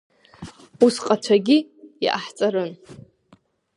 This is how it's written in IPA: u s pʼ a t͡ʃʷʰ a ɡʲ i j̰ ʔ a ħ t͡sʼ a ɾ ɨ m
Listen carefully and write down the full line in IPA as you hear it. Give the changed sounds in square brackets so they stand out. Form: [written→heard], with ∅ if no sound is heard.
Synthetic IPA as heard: u s [pʼ→qʼ] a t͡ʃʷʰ a ɡʲ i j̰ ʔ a ħ t͡sʼ a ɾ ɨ [m→n]